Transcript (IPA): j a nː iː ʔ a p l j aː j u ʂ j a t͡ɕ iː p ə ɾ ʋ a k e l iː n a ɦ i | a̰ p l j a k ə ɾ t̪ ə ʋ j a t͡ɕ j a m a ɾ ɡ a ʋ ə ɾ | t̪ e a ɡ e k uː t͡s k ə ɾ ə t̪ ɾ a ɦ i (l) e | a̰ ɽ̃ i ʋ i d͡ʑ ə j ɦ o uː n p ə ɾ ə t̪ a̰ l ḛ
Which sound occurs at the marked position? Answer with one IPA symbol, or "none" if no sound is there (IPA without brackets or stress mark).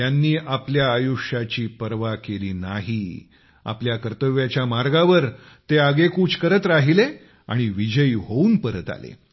l